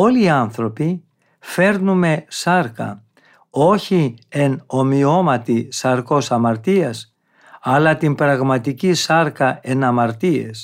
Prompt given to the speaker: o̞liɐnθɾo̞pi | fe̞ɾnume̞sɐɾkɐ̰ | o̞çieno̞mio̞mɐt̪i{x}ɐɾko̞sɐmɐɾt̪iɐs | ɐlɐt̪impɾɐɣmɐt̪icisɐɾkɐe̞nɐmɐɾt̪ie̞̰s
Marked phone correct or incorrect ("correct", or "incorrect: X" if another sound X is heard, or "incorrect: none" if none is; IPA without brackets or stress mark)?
incorrect: s